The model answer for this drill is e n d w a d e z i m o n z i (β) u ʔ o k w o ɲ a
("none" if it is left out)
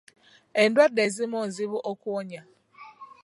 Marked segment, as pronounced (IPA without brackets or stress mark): β